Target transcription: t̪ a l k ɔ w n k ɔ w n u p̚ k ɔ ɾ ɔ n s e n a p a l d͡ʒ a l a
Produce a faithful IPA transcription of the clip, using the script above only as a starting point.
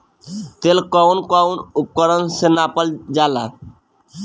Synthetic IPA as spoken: t̪ e l k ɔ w n k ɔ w n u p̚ k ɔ ɾ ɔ n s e n a p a l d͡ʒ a l a